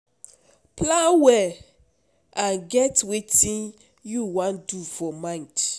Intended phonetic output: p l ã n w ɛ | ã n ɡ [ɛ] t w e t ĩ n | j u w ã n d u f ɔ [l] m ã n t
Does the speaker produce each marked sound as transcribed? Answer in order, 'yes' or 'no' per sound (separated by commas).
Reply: yes, no